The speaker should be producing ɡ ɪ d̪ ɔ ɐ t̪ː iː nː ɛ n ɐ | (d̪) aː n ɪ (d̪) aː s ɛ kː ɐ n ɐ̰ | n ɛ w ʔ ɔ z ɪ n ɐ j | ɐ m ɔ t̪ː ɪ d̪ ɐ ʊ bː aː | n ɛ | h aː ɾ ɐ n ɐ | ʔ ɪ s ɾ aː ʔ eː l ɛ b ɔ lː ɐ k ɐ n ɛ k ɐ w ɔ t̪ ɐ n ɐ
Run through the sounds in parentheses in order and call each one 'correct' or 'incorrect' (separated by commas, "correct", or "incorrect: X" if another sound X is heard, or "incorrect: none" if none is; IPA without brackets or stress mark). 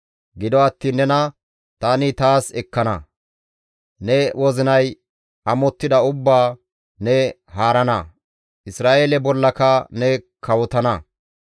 incorrect: t̪, incorrect: t̪